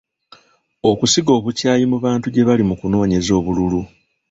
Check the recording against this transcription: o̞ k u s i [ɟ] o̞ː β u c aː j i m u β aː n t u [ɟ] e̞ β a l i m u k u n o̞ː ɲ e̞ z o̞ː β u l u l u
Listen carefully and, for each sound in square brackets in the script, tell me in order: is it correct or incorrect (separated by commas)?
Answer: incorrect, correct